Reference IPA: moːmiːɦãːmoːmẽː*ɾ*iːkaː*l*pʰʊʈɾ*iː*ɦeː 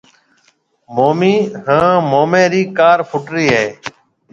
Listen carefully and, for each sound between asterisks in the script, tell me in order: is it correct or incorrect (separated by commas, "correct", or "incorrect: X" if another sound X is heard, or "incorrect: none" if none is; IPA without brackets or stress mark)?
correct, incorrect: ɾ, correct